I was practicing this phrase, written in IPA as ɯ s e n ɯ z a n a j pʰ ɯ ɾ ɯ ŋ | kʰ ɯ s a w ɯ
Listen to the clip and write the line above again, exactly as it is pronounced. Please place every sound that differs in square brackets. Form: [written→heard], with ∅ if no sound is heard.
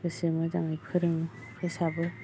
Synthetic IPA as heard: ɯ s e [n→m] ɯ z a [n→ŋ] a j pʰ ɯ ɾ ɯ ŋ | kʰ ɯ s a [w→b] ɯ